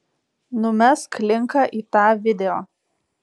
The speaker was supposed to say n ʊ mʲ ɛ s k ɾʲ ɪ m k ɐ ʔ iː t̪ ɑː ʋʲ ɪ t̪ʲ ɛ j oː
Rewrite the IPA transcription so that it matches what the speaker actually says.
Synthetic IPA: n ʊ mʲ ɛ s k lʲ ɪ ŋ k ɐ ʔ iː t̪ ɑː ʋʲ ɪ d̪ʲ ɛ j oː